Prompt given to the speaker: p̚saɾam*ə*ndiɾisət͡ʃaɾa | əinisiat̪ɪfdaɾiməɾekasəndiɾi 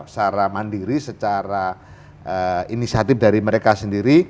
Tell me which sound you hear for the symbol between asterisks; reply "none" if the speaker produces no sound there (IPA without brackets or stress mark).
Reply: a